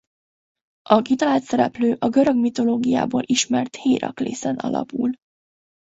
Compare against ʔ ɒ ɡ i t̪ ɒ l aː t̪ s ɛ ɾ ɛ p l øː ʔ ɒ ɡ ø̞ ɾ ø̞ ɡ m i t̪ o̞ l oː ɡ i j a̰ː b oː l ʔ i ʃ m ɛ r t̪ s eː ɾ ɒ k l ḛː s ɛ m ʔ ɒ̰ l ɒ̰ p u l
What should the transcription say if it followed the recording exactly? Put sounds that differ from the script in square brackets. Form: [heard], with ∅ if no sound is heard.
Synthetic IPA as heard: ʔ ɒ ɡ i t̪ ɒ l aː t̪ s ɛ ɾ ɛ p l øː ʔ ɒ ɡ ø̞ ɾ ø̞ ɡ m i t̪ o̞ l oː ɡ i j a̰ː b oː l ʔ i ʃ m ɛ r t̪ [h] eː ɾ ɒ k l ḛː s ɛ [n] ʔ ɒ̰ l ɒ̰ p u l